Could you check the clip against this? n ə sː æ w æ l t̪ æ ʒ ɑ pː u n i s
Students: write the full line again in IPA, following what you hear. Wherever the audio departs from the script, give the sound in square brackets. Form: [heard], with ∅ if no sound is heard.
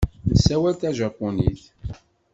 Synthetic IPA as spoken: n ə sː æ w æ l t̪ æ ʒ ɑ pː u n i [θ]